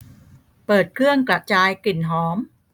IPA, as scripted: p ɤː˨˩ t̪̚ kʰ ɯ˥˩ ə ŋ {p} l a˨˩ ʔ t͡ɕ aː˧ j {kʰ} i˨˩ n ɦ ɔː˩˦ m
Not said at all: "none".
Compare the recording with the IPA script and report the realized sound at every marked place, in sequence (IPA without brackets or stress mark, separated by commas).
k, k